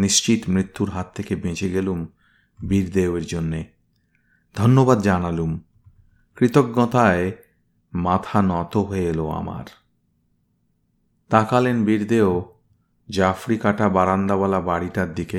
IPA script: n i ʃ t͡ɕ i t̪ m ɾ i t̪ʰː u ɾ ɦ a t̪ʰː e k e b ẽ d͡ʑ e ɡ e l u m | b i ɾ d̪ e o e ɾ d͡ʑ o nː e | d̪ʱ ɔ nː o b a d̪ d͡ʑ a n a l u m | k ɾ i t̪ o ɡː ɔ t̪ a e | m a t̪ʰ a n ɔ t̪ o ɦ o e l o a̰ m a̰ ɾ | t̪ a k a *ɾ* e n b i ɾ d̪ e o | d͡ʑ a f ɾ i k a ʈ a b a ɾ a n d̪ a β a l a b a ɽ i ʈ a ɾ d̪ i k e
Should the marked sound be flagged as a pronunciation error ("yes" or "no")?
yes